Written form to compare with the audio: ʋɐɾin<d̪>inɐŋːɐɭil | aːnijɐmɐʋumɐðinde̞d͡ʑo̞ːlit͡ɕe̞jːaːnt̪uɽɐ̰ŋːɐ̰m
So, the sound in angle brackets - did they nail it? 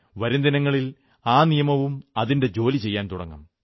yes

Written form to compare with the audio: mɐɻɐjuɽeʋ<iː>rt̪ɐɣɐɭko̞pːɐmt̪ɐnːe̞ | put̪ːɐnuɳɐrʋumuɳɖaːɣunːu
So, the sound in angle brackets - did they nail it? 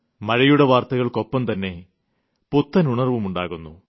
no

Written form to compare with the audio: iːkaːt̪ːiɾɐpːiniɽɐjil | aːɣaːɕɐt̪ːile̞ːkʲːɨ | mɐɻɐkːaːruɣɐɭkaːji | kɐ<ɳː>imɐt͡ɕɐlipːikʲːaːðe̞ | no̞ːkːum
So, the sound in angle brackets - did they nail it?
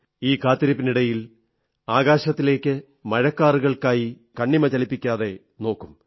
yes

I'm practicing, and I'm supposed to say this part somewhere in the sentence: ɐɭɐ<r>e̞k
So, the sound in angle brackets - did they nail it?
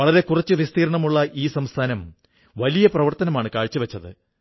no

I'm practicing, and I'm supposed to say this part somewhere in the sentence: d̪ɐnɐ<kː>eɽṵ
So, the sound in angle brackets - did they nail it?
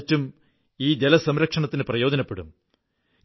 no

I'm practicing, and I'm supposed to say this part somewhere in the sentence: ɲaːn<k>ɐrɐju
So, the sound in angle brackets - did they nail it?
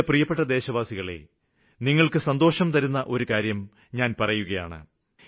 no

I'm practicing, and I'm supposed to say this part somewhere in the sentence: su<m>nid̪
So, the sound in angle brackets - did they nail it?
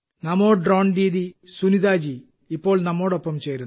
no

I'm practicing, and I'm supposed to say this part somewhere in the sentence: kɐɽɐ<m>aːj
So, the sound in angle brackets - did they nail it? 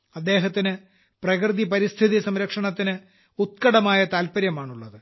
yes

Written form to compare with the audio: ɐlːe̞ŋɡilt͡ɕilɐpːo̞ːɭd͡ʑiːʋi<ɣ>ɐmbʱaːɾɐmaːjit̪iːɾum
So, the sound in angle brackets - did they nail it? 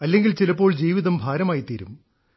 no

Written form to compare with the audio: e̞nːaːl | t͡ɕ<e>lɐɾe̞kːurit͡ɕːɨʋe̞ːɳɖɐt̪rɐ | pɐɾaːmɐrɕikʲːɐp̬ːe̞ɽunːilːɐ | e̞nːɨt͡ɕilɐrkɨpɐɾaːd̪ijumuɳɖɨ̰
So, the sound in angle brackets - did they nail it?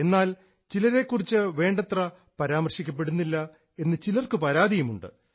no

